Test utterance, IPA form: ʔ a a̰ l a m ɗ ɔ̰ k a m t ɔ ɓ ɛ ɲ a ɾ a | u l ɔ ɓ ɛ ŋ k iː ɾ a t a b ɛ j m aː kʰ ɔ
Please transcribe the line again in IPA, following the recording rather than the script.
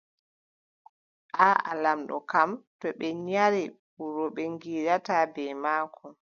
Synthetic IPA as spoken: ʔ a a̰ l a m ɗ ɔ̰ k a m t ɔ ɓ ɛ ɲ a ɾ i | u ɾ ɔ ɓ ɛ ŋ ɡ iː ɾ a t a b ɛ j m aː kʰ ɔ